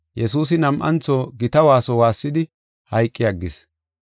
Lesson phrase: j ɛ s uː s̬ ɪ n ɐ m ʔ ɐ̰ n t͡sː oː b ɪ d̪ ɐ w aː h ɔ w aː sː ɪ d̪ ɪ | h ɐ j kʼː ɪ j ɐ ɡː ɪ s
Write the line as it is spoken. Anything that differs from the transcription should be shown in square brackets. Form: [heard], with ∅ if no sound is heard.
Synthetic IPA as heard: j ɛ s uː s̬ ɪ n ɐ m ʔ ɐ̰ n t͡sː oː [ɡ] ɪ [t̪] ɐ w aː [s] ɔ w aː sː ɪ d̪ ɪ | h ɐ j kʼː ɪ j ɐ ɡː ɪ s